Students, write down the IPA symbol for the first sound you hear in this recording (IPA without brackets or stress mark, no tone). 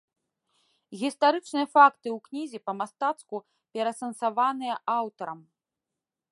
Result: ɣʲ